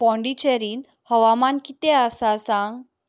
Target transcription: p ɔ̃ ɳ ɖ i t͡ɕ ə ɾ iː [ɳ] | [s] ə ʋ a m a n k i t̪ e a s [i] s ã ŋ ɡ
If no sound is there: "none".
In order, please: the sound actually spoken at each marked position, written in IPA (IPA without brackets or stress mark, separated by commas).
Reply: n, h, a